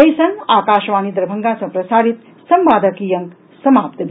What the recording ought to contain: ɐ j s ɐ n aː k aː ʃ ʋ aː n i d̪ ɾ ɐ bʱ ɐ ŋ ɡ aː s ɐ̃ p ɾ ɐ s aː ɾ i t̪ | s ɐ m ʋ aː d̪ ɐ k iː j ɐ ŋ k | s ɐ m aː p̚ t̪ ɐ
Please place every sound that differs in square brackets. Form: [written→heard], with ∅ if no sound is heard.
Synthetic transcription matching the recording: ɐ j s ɐ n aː k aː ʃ ʋ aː n i d̪ ɾ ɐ bʱ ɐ ŋ ɡ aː s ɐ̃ p ɾ ɐ s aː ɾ i t̪ | s ɐ m ʋ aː d̪ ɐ k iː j ɐ ŋ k | s ɐ m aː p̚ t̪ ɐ